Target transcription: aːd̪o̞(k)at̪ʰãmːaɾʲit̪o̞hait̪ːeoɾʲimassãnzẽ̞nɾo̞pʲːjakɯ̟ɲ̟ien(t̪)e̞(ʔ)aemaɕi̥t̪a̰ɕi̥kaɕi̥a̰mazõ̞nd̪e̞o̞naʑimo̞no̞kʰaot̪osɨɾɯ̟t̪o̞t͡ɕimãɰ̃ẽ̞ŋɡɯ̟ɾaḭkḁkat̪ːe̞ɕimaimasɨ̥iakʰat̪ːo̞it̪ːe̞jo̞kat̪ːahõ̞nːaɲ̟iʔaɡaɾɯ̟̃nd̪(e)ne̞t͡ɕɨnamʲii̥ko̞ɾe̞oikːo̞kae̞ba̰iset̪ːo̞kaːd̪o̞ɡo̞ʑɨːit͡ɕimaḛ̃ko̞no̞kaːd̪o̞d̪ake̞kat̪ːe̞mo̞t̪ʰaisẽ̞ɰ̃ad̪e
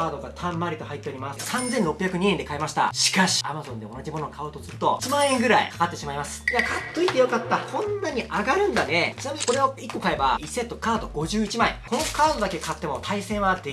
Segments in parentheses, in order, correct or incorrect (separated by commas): incorrect, incorrect, incorrect, incorrect